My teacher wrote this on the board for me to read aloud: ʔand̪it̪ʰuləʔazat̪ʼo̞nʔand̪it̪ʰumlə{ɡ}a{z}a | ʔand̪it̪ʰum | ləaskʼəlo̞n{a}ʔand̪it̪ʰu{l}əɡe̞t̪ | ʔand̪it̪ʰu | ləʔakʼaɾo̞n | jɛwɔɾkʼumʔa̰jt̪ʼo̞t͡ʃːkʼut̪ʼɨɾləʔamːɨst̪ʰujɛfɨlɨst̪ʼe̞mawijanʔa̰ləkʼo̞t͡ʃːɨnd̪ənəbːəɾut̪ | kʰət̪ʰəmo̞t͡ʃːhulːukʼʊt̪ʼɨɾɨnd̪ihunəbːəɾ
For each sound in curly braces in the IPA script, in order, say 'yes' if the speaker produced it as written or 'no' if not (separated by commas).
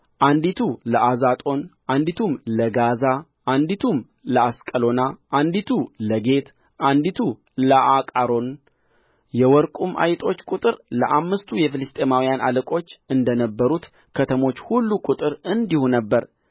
yes, yes, yes, yes